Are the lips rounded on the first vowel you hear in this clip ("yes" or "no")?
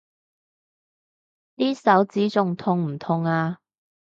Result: no